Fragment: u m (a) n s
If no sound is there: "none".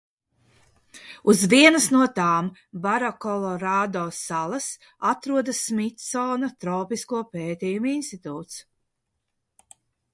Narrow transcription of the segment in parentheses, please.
i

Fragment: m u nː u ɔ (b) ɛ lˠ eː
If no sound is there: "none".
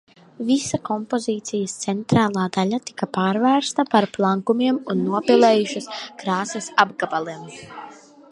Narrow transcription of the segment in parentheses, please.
p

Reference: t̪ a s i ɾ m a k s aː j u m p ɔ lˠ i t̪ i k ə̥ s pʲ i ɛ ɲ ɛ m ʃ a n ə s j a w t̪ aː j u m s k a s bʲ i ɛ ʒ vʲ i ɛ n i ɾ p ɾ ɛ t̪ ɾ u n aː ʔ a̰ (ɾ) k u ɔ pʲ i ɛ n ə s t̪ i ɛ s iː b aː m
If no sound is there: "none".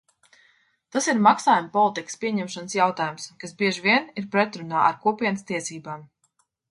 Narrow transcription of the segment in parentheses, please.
ɾ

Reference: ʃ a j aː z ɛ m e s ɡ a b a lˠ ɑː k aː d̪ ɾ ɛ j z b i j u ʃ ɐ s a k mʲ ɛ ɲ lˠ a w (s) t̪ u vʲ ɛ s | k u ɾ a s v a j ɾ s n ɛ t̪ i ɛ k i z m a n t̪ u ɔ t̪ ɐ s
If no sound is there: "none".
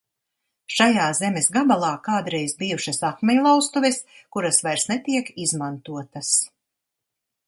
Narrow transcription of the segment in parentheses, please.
s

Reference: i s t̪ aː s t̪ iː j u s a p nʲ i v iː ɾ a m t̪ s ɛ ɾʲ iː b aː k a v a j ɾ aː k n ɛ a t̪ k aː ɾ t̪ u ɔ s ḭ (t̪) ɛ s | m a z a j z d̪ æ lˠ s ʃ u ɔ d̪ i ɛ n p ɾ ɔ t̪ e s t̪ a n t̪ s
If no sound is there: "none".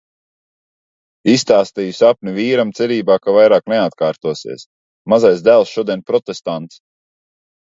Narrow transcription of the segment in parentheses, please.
none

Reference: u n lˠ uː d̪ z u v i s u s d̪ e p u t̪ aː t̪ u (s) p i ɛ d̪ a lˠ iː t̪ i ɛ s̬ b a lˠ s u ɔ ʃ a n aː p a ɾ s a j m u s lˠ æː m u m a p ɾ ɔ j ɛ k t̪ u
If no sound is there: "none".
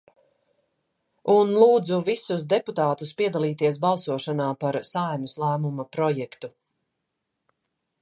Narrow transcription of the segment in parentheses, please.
s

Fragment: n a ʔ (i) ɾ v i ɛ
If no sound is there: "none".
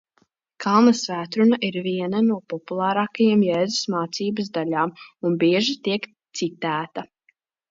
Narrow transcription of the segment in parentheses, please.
i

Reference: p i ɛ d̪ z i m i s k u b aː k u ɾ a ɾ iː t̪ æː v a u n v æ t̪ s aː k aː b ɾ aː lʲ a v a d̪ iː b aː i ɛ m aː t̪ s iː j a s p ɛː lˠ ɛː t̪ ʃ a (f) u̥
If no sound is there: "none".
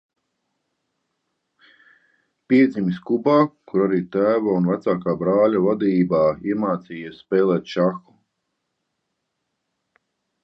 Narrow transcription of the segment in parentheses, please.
x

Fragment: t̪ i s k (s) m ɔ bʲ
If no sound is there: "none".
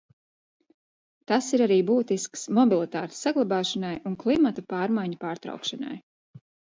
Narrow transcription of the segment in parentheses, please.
s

